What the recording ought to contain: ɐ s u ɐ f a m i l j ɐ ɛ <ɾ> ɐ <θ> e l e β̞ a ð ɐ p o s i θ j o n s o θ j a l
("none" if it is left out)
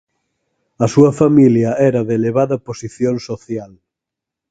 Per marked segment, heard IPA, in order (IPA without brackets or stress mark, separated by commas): ɾ, ð